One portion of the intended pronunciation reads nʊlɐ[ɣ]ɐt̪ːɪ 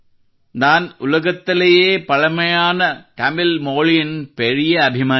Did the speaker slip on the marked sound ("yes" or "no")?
no